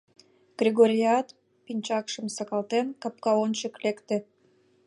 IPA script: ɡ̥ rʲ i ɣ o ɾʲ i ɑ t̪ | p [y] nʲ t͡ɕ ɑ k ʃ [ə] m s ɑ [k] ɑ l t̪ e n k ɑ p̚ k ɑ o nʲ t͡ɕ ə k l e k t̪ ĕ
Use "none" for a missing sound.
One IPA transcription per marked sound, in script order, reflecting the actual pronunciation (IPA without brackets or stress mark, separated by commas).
i, ə, k